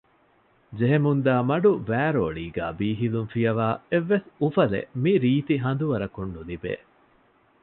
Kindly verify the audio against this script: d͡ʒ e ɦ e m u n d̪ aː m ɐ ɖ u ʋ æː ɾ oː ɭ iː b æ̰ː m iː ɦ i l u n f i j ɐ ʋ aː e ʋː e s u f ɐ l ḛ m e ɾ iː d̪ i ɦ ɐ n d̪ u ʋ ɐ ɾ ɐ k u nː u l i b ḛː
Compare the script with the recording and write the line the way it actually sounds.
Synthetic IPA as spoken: d͡ʒ e ɦ e m u n d̪ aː m ɐ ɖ u ʋ æː ɾ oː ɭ iː ɡ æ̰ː b iː ɦ i l u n f i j ɐ ʋ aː e ʋː e s u f ɐ l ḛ m i ɾ iː t̪ i ɦ ɐ n d̪ u ʋ ɐ ɾ ɐ k u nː u l i b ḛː